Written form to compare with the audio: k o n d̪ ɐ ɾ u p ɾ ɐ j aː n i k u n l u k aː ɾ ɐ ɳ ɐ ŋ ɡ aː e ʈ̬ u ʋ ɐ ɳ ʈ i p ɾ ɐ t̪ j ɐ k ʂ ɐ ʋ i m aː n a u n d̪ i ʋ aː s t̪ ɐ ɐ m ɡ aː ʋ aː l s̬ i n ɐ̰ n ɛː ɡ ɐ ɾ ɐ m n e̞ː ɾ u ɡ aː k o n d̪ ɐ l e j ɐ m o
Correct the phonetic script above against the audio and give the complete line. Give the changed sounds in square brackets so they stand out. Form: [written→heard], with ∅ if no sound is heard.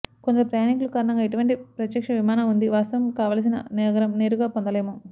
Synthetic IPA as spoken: k o n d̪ ɐ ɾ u p ɾ ɐ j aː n i k u [n→∅] l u k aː ɾ ɐ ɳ ɐ ŋ ɡ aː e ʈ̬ u ʋ ɐ ɳ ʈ i p ɾ ɐ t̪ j ɐ k ʂ ɐ ʋ i m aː n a u n d̪ i ʋ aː s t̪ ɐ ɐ m [ɡ→k] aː ʋ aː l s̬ i n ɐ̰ n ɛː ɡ ɐ ɾ ɐ m n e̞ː ɾ u ɡ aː [k→p] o n d̪ ɐ l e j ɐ m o